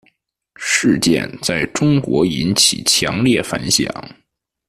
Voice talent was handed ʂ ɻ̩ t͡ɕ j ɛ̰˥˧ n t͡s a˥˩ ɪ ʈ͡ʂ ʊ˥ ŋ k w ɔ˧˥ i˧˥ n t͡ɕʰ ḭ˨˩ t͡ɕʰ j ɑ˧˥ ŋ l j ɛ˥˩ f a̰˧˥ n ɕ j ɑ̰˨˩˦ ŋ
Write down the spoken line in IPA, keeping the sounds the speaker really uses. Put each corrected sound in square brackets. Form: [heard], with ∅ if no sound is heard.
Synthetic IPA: ʂ ɻ̩ t͡ɕ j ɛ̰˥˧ n t͡s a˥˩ ɪ ʈ͡ʂ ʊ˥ ŋ k w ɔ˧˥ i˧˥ n t͡ɕʰ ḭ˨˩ t͡ɕʰ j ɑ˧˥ ŋ l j ɛ˥˩ f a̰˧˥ n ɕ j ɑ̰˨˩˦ ŋ